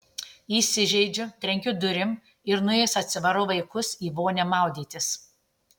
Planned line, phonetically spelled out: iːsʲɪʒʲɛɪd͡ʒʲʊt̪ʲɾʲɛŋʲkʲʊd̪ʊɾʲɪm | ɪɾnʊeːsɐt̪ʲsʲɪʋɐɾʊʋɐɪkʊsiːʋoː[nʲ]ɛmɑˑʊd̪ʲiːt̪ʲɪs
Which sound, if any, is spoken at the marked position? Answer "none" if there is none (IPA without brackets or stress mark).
nʲ